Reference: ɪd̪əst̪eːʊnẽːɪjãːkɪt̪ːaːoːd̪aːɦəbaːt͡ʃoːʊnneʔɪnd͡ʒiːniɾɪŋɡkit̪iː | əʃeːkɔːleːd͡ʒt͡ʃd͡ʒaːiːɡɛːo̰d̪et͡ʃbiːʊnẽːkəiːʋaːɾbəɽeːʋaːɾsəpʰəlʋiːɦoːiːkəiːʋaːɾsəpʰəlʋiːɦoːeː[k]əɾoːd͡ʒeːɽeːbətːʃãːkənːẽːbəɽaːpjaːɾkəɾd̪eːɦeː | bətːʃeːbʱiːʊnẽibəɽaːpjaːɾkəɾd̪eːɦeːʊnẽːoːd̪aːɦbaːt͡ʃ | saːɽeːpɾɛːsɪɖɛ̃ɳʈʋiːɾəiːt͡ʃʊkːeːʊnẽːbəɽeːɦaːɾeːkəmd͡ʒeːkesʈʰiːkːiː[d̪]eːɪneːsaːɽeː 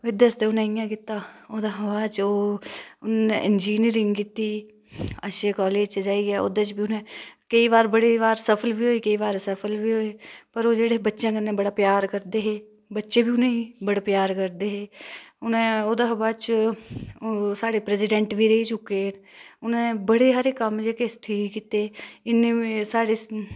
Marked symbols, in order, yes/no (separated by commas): no, no